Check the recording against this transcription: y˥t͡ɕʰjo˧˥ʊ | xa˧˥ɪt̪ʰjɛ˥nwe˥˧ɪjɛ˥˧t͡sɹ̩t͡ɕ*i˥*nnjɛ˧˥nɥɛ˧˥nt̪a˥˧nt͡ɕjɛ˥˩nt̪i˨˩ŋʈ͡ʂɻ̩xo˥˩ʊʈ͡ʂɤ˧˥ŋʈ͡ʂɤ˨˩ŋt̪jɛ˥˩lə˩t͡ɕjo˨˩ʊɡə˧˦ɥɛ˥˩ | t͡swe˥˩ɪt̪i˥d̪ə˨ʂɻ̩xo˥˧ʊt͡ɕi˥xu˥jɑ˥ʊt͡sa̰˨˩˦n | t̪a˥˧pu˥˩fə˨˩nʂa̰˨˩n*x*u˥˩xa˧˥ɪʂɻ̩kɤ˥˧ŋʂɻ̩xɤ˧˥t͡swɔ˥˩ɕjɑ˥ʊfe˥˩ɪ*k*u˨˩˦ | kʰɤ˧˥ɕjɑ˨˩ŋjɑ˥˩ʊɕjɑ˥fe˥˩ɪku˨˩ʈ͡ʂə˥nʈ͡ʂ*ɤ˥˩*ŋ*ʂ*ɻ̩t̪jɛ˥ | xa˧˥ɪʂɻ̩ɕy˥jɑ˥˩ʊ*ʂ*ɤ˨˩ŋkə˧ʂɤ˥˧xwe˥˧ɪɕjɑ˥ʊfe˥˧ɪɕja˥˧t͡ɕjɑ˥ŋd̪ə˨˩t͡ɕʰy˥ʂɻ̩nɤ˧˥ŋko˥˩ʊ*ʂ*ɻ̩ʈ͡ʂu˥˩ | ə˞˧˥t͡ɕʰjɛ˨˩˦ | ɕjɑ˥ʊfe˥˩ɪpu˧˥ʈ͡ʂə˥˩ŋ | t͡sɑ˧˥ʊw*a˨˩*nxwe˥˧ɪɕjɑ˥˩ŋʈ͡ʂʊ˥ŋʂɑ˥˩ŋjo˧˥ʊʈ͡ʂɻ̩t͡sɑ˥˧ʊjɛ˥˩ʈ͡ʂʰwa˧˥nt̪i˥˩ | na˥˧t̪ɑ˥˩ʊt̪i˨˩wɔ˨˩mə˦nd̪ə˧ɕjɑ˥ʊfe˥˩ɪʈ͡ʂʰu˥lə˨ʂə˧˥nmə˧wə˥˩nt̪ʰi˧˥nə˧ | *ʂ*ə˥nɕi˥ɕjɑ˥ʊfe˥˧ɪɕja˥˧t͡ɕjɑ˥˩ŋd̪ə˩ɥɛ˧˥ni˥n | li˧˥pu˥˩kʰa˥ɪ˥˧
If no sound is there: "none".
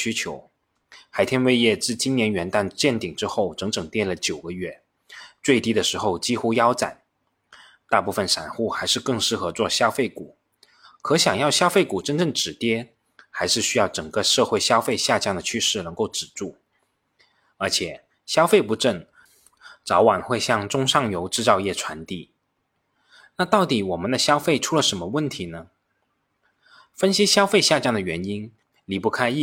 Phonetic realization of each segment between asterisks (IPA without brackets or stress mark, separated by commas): i˥, x, k, ɤ˥˩, ʈ͡ʂ, ʈ͡ʂ, ʈ͡ʂ, a˨˩, f